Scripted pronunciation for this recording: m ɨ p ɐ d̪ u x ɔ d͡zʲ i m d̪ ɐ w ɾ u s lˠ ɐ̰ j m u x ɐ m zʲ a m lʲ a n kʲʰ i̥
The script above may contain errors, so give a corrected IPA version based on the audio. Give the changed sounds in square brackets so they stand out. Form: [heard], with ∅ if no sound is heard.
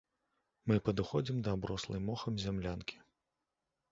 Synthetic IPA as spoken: m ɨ p ɐ d̪ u x ɔ d͡zʲ i m d̪ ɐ [b] ɾ [ɔ] s lˠ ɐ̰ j m [ɔ] x ɐ m zʲ a m lʲ a n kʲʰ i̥

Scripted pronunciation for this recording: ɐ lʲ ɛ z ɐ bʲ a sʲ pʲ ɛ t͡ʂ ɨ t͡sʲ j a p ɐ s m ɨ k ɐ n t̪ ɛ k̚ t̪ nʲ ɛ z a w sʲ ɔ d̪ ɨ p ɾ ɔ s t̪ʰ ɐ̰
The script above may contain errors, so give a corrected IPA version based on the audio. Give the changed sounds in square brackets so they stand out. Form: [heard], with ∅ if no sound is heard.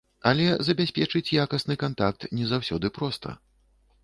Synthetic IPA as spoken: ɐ lʲ ɛ z ɐ bʲ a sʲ pʲ ɛ t͡ʂ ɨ t͡sʲ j a [k] ɐ s [n] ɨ k [a] n t̪ [a] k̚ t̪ nʲ ɛ z a w sʲ ɔ d̪ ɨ p ɾ ɔ s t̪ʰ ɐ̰

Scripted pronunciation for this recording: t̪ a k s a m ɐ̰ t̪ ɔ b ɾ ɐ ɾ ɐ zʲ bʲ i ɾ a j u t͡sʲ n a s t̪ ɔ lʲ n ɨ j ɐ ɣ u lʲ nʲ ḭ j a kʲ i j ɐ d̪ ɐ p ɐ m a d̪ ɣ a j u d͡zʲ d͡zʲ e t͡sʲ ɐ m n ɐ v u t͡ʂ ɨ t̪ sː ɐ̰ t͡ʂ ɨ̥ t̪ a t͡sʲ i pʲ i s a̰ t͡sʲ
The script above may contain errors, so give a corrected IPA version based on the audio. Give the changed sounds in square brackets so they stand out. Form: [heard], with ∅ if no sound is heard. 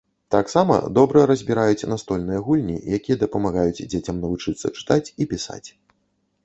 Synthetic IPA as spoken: t̪ a k s a m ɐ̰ [d̪] ɔ b ɾ ɐ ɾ ɐ zʲ bʲ i ɾ a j u t͡sʲ n a s t̪ ɔ lʲ n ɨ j ɐ ɣ u lʲ nʲ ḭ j a kʲ i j ɐ d̪ ɐ p ɐ m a [∅] ɣ a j u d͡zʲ d͡zʲ e t͡sʲ ɐ m n ɐ v u t͡ʂ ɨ t̪ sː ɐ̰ t͡ʂ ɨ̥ t̪ a t͡sʲ i pʲ i s a̰ t͡sʲ

